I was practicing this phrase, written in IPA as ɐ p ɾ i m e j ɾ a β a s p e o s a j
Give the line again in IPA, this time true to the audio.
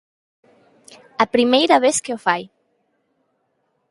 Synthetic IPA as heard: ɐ p ɾ i m e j ɾ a β e s k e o f a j